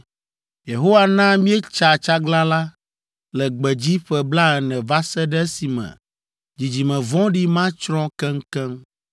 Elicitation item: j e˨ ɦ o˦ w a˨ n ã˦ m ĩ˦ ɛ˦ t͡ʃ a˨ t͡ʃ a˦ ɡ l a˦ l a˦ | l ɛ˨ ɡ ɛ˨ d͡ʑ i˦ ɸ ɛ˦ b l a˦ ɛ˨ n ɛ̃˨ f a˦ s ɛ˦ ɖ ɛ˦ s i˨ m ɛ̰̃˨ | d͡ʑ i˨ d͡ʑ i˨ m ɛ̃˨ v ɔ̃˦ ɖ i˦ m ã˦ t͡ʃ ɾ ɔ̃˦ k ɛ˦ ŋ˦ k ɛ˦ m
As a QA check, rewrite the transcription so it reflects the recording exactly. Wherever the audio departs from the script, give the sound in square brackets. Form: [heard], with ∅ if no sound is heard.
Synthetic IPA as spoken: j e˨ ɦ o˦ w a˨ n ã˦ m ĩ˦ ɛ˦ t͡ʃ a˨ t͡ʃ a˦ ɡ l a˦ l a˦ | l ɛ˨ [ɡ͡b] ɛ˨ d͡ʑ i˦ ɸ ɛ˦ b l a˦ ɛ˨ n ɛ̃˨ [v] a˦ s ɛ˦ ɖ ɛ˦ s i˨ m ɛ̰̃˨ | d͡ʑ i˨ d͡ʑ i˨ m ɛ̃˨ v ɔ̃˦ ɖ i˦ m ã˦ t͡ʃ ɾ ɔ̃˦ k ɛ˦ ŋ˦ k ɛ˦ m